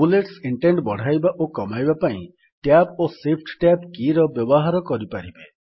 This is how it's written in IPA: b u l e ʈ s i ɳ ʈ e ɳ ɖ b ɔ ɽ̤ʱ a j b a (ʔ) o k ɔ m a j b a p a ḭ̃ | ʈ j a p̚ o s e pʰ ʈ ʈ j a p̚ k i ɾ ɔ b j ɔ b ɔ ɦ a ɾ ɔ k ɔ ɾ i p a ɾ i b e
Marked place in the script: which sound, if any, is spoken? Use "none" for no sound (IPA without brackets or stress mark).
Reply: ʔ